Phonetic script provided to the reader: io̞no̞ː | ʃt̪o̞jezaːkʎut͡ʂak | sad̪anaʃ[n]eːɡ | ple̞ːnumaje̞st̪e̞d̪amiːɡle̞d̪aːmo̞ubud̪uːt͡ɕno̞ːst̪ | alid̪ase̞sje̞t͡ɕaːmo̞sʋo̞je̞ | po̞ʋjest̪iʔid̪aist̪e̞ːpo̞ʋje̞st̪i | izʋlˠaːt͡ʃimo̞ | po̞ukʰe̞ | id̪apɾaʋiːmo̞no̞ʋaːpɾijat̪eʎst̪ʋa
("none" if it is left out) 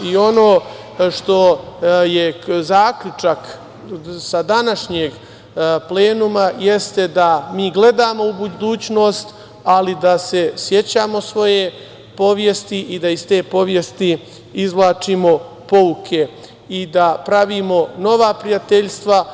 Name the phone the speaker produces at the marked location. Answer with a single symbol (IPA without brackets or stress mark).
ɲ